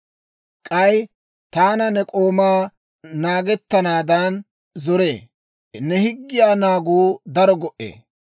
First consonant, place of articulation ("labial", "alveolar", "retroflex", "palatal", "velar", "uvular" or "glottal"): velar